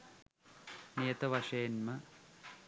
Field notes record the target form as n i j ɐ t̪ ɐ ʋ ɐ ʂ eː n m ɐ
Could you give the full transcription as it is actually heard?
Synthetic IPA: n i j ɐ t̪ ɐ ʋ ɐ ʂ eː n m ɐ